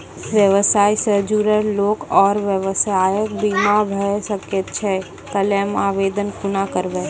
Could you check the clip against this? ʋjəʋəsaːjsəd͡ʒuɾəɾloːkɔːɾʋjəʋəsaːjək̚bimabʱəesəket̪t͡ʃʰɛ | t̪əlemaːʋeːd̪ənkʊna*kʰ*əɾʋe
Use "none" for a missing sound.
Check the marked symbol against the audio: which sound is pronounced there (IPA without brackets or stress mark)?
k